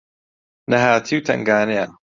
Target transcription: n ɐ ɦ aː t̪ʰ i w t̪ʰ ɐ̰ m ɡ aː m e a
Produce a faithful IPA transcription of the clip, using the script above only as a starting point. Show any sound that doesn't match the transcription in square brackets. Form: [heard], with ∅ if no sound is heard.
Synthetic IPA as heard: n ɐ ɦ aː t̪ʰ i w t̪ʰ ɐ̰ [ŋ] ɡ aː [n] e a